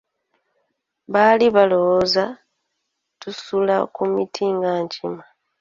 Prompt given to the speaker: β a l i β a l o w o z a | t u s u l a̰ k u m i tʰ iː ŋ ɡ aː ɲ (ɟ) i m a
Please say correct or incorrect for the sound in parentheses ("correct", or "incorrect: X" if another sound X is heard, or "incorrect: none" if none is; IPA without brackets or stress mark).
incorrect: c